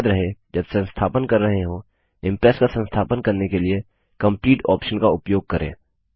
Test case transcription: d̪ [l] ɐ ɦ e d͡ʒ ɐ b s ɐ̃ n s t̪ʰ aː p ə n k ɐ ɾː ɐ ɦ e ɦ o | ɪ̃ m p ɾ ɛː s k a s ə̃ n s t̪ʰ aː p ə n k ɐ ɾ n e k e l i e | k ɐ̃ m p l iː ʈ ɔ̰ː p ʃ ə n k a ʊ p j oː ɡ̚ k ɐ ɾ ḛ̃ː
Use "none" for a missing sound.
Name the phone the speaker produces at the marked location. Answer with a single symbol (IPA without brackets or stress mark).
ɾ